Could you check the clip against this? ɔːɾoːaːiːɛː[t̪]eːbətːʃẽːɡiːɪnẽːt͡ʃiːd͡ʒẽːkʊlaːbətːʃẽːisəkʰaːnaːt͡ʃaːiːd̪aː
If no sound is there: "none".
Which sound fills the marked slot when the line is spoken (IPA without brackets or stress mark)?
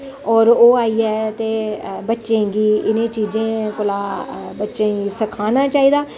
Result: t̪